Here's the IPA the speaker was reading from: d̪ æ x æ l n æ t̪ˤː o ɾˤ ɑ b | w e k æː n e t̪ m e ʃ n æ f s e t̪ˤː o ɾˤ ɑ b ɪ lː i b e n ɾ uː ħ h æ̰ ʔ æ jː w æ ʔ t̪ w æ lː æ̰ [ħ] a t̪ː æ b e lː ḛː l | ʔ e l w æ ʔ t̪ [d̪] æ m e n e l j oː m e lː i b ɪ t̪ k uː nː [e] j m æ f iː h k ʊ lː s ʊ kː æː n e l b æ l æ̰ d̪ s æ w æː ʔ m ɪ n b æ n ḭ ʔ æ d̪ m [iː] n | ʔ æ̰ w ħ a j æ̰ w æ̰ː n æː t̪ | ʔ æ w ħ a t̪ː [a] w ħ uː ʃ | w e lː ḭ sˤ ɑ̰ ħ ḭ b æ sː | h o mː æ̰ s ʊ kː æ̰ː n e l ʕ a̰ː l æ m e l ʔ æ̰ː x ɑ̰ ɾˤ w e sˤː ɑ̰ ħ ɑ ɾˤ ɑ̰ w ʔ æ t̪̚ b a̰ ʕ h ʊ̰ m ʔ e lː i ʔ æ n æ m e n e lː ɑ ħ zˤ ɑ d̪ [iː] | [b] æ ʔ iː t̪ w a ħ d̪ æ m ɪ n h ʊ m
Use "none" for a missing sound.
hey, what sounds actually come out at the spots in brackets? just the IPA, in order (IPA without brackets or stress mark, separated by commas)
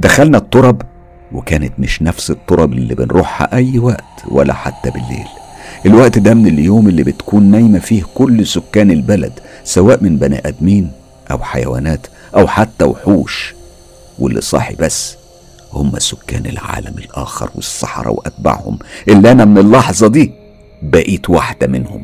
ħ, d̪, æ, iː, æ, iː, b